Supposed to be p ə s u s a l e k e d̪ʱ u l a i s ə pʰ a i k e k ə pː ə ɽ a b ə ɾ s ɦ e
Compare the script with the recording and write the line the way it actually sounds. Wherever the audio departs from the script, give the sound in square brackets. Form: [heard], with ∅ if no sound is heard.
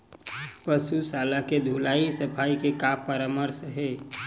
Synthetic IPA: p ə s u s a l [a] k e d̪ʱ u l a i s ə pʰ a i k e k [a] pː ə [ɾ] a [m] ə ɾ s ɦ e